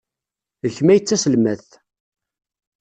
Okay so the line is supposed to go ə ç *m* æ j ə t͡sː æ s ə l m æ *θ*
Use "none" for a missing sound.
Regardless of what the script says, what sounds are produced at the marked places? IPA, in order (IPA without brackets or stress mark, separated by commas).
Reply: m, θ